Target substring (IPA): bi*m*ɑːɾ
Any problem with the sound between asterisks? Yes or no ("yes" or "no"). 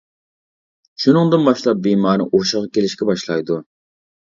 no